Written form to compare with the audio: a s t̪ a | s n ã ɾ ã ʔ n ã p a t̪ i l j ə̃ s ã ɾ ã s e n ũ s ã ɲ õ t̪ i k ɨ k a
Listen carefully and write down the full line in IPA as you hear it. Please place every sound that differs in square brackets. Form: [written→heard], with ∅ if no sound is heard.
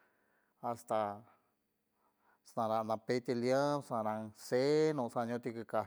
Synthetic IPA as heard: a s t̪ a | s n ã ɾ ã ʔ n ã p [a→e] t̪ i l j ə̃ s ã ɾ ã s e n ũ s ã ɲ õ t̪ i k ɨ k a